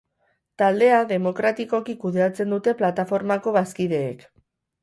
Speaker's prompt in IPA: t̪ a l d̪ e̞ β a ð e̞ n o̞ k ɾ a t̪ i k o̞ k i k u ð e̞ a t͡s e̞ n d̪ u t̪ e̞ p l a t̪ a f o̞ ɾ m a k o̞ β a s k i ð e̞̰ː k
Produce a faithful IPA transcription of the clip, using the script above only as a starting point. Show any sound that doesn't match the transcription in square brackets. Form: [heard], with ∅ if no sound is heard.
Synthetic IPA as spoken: t̪ a l d̪ e̞ [∅] a ð e̞ [m] o̞ k ɾ a t̪ i k o̞ k i k u ð e̞ a t͡s e̞ n d̪ u t̪ e̞ p l a t̪ a f o̞ ɾ m a k o̞ β a s k i ð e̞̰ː k